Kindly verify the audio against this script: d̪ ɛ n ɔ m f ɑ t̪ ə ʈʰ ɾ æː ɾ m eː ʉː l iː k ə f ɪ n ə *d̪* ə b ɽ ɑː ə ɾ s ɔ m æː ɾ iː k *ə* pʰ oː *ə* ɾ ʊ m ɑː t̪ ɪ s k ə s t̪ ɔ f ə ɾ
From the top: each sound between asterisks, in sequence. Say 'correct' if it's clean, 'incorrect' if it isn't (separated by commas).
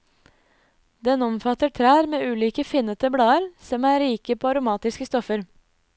incorrect, correct, incorrect